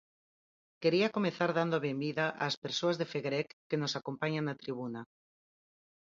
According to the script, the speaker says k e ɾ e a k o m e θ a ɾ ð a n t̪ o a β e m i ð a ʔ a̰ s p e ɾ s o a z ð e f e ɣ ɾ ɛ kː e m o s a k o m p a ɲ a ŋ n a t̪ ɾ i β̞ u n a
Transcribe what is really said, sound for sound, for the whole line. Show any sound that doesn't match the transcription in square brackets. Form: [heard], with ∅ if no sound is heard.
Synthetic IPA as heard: k e ɾ [i] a k o m e θ a ɾ ð a n [d̪] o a β e m i ð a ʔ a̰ s p e ɾ s o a z ð e f e ɣ ɾ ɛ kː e [n] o s a k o m p a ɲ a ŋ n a t̪ ɾ i β̞ u n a